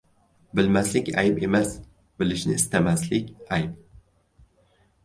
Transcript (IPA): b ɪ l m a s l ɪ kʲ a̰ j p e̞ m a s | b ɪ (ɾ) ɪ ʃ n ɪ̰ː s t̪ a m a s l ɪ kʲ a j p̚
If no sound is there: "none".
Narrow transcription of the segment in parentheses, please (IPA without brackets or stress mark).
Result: l